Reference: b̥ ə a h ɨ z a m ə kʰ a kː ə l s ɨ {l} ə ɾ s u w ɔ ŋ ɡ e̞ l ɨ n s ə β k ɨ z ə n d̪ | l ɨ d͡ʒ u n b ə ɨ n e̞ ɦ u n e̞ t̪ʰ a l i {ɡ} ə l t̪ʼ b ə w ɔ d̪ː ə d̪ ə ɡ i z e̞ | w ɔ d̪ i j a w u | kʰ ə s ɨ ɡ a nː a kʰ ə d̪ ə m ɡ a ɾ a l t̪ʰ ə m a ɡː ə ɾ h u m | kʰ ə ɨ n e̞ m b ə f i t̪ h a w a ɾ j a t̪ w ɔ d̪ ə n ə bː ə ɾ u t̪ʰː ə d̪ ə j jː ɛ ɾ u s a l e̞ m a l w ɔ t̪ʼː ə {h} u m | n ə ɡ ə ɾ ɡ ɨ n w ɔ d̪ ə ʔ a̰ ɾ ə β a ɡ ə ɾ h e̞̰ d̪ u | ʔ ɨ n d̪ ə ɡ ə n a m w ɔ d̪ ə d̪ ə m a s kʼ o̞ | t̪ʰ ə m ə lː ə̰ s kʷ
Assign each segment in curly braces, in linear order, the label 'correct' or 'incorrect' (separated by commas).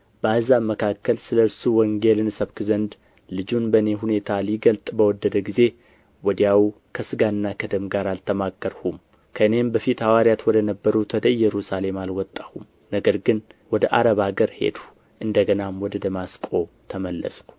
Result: correct, correct, correct